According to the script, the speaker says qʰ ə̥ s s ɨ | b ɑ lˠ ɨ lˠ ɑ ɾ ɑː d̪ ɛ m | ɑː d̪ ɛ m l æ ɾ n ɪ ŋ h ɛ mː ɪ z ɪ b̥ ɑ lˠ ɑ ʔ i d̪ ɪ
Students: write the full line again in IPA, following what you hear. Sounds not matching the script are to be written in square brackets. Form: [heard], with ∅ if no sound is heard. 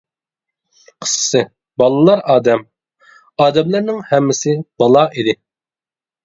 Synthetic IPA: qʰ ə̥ s s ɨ | b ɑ lˠ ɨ lˠ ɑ ɾ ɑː d̪ ɛ m | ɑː d̪ ɛ m l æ ɾ n ɪ ŋ h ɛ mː ɪ [s] ɪ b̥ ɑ lˠ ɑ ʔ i d̪ ɪ